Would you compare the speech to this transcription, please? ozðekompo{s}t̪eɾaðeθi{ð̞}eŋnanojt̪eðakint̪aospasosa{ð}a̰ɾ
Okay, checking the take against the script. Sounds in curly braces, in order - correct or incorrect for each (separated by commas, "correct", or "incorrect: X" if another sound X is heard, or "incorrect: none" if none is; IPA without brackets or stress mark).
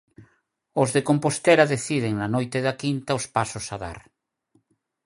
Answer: correct, correct, correct